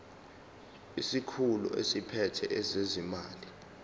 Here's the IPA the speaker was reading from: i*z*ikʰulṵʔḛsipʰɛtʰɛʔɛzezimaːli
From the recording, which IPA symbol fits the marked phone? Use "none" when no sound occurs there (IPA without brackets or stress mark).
s